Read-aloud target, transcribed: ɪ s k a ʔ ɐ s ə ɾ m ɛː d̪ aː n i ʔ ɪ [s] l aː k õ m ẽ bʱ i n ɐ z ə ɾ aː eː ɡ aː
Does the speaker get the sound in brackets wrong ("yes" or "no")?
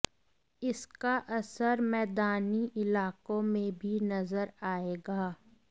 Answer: yes